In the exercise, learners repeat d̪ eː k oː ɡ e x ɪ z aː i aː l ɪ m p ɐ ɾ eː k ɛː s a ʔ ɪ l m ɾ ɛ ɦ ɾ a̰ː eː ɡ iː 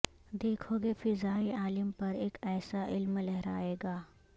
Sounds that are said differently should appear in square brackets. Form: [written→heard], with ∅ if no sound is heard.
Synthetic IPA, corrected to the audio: d̪ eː [k→kʰ] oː ɡ e [x→f] ɪ z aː i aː l ɪ m p ɐ ɾ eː k ɛː s a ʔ ɪ l m [ɾ→l] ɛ ɦ ɾ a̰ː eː ɡ [iː→aː]